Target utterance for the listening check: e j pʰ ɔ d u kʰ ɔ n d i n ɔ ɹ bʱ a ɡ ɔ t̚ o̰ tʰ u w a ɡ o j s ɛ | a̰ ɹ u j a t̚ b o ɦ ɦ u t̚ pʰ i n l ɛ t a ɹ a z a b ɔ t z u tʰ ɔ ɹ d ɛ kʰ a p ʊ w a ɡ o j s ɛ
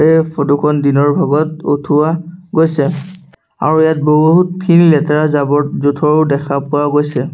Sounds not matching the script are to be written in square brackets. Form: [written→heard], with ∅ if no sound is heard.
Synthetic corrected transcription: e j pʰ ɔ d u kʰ ɔ n d i n ɔ ɹ bʱ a ɡ ɔ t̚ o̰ tʰ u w a ɡ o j s ɛ | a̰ ɹ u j a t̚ b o ɦ ɦ u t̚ pʰ i n l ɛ t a ɹ a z a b ɔ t z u tʰ ɔ ɹ d ɛ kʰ a p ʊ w a ɡ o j s ɛ